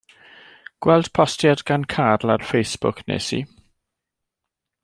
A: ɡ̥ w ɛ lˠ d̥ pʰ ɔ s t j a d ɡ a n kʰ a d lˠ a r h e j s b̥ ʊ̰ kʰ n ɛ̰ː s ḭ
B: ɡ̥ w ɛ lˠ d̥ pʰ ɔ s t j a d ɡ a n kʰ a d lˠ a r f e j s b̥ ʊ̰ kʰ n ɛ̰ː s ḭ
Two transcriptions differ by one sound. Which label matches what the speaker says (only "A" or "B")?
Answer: B